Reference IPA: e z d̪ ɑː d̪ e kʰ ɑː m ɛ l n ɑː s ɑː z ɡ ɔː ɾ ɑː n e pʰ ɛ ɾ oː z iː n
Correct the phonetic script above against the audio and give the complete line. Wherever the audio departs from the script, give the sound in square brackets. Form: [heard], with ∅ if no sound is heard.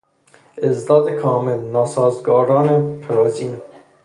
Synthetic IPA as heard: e z d̪ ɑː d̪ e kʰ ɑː m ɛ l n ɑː s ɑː z ɡ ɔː ɾ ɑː n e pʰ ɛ ɾ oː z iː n